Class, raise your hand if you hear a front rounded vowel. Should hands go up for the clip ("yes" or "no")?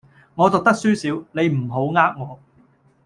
yes